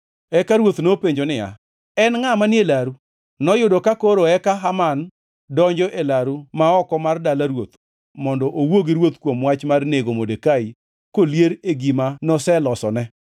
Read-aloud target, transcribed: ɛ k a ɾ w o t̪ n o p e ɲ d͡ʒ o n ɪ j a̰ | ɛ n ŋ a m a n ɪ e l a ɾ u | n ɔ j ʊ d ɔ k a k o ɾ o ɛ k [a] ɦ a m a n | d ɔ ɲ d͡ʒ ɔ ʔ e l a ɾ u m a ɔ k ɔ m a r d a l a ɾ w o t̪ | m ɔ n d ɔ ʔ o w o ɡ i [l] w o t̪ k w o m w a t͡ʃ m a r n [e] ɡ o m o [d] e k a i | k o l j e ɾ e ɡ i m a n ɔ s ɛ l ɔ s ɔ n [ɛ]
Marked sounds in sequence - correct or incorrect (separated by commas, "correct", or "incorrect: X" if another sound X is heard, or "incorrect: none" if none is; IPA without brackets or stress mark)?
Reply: correct, incorrect: ɾ, correct, correct, correct